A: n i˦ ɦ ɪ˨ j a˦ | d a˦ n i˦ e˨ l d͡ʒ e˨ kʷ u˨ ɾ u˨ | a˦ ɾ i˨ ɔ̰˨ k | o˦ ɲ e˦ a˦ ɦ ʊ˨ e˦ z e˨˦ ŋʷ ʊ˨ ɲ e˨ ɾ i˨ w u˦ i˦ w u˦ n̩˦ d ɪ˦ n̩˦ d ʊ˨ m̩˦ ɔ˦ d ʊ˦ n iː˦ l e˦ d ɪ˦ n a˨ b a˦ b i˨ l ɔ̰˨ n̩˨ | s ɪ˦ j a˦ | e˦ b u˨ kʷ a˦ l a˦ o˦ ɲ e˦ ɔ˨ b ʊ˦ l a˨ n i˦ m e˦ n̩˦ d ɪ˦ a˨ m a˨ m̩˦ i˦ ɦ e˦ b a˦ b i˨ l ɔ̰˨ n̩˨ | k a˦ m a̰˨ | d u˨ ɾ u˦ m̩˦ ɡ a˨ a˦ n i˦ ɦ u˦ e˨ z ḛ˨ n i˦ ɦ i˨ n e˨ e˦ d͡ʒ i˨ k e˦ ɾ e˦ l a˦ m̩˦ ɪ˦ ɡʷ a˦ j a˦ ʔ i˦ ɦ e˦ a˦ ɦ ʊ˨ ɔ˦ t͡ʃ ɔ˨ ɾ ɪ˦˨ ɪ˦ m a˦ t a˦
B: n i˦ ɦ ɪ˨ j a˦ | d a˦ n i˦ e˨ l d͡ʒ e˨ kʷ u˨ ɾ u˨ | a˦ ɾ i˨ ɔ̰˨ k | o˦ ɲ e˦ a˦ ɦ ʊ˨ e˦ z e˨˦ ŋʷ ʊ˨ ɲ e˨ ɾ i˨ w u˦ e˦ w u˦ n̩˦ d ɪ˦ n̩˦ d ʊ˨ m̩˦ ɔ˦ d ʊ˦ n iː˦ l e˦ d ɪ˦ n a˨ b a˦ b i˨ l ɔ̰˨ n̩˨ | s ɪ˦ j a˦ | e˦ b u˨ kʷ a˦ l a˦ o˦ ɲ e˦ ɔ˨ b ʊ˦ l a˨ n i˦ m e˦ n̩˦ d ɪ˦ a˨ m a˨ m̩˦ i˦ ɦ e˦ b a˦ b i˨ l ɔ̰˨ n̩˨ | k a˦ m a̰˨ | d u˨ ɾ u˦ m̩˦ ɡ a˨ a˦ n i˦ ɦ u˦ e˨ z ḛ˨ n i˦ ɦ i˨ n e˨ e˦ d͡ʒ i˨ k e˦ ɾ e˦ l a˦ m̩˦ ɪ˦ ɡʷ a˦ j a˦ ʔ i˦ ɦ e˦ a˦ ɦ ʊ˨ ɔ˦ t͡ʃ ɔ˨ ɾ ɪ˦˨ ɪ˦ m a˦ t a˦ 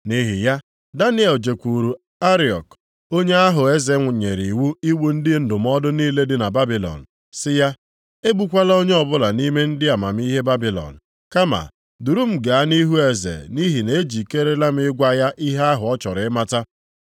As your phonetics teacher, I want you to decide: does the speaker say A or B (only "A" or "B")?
A